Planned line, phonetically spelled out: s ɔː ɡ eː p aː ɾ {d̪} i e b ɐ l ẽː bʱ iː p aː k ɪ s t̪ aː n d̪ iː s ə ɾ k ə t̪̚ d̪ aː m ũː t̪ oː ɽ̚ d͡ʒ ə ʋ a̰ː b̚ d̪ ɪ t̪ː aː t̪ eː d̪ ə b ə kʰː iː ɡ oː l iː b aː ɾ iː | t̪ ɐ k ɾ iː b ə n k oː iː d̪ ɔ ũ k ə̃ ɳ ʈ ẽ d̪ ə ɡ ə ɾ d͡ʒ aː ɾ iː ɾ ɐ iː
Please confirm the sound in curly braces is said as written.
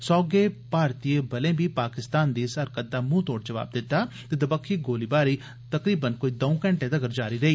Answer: no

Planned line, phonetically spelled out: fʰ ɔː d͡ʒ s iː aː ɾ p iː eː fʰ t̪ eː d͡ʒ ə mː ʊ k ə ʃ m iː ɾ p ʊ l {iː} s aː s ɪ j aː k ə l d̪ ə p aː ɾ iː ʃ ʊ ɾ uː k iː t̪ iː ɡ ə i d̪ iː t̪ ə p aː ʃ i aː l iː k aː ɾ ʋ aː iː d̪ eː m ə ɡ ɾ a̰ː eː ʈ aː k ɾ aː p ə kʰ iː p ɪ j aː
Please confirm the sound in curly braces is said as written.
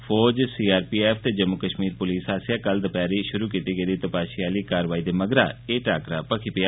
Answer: yes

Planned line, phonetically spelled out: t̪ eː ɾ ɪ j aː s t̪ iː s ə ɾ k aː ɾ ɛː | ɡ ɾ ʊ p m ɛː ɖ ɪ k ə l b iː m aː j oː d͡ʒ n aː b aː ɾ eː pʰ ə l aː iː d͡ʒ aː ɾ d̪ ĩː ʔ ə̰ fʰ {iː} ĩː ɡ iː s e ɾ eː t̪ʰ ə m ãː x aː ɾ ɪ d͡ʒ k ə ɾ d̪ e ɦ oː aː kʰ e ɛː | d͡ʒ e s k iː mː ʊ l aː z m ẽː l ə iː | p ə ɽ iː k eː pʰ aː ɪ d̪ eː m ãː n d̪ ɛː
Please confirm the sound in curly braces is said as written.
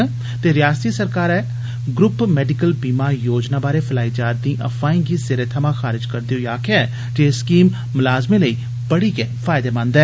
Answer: no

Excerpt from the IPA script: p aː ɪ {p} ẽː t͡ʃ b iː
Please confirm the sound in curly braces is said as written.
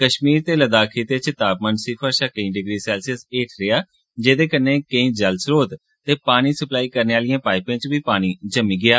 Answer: yes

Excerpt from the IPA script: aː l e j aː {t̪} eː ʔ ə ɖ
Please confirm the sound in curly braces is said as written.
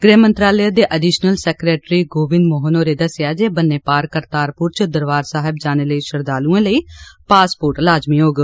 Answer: no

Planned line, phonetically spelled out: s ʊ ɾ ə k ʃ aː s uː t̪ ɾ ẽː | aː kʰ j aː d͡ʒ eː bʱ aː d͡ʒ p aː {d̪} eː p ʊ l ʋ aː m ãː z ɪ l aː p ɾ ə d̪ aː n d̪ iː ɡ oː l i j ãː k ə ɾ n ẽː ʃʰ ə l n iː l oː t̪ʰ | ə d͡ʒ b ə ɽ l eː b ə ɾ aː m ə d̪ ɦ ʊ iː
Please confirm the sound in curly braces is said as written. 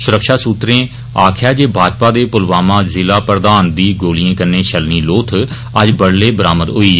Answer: yes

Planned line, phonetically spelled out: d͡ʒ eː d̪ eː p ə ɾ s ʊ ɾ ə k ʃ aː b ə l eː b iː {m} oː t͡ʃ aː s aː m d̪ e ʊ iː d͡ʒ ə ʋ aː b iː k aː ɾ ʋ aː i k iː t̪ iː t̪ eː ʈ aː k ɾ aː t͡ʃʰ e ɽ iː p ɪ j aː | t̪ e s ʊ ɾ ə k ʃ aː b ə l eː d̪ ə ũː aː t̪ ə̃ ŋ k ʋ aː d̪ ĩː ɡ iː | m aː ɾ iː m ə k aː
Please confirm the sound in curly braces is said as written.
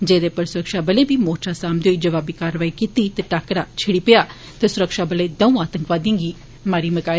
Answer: yes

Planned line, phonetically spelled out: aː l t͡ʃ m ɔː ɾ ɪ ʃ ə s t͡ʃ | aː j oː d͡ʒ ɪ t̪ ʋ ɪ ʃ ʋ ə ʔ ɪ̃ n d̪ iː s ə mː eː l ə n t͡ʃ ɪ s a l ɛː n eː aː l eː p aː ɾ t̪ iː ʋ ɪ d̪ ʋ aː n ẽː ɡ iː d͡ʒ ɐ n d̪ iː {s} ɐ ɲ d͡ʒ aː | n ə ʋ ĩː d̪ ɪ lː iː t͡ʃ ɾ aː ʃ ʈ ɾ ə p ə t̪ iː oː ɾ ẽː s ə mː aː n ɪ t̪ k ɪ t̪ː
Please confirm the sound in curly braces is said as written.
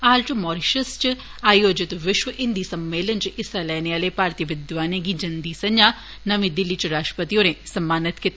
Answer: yes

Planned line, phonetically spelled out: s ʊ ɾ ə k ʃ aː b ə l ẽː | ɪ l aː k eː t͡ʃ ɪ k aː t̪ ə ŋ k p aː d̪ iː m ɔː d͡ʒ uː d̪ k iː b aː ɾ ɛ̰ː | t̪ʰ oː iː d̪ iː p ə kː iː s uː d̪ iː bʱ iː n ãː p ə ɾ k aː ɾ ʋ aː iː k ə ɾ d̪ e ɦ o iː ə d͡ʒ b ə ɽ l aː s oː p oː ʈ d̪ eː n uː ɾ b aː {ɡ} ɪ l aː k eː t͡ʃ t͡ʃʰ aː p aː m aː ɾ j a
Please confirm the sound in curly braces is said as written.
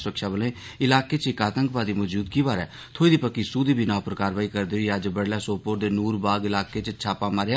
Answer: yes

